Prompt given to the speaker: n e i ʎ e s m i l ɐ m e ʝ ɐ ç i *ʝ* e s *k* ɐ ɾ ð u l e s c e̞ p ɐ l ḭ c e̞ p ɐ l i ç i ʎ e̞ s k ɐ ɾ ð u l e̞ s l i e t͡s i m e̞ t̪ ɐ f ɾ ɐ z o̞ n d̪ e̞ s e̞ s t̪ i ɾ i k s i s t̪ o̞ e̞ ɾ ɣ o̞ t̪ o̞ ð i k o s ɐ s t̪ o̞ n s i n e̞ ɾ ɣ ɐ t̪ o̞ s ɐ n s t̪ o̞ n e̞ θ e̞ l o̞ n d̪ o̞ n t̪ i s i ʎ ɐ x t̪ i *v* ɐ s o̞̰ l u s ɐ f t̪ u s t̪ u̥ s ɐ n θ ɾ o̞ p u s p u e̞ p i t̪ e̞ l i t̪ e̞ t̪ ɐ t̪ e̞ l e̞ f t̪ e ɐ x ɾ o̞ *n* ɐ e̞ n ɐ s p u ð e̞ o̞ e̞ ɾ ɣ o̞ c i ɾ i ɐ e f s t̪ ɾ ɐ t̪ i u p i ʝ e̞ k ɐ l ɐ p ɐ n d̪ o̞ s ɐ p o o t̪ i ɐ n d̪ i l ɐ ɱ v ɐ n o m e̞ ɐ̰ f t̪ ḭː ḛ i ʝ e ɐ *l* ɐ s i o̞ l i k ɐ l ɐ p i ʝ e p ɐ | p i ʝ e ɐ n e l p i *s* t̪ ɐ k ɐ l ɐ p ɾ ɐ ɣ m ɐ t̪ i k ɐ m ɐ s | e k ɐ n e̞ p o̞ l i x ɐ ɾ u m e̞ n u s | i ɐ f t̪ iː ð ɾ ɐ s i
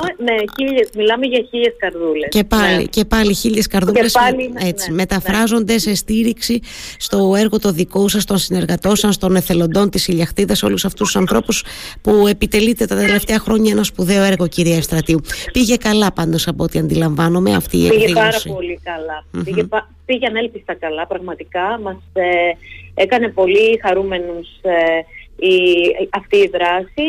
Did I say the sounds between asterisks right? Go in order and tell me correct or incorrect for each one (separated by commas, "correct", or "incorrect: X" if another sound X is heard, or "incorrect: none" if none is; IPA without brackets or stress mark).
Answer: incorrect: ʎ, correct, incorrect: ð, incorrect: ɲ, incorrect: ɾ, correct